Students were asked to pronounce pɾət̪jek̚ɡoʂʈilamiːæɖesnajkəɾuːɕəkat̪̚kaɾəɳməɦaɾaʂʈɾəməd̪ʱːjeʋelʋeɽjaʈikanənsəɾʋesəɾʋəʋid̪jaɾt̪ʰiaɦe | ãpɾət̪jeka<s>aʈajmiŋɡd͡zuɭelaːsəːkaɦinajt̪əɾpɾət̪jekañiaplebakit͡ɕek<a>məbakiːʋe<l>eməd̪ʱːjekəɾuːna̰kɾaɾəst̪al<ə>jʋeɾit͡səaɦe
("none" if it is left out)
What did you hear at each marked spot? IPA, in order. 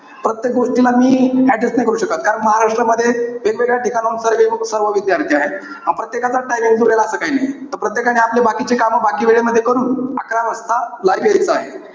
t͡s, a, ɭ, a

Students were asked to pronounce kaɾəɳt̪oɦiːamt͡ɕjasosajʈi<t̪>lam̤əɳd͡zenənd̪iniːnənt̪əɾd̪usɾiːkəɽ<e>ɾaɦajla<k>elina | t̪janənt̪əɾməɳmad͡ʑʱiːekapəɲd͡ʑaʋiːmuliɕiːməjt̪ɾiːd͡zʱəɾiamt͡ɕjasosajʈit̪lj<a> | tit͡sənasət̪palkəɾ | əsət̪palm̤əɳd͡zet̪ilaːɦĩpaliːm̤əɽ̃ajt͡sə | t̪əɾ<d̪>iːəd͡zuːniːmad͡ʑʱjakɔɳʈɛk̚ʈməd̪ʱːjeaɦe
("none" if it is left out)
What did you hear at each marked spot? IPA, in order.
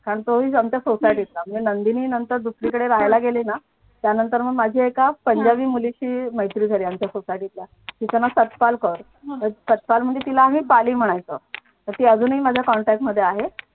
t̪, e, ɡ, a, t̪

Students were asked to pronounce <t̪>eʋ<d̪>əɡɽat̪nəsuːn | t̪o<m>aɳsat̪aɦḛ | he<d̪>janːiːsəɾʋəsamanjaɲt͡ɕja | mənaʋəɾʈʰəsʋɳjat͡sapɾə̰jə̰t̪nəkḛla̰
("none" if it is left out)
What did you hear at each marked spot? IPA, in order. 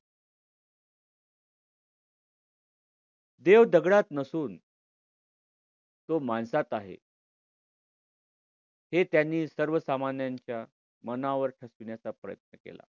d̪, d̪, m, t̪

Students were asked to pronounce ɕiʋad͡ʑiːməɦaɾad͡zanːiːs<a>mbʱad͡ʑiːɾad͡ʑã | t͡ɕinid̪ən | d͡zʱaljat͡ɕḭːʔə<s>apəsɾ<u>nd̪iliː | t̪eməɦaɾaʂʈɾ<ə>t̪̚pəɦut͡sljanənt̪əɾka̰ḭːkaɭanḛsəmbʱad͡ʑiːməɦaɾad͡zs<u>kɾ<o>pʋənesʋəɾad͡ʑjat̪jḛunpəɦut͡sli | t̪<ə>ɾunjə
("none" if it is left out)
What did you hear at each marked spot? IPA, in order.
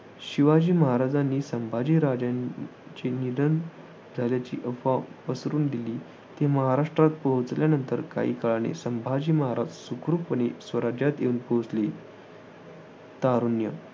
ə, f, uː, a, u, u, a

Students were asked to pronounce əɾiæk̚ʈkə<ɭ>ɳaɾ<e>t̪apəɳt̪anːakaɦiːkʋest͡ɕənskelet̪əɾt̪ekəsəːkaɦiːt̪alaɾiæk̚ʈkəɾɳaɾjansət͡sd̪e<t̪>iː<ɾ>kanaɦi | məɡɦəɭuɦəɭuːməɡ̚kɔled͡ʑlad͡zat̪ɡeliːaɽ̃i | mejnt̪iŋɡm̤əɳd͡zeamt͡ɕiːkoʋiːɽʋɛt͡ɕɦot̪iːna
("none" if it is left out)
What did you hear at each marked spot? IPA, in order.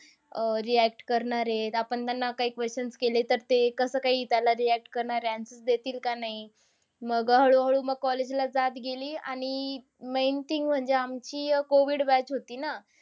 ɾ, e, t̪, l

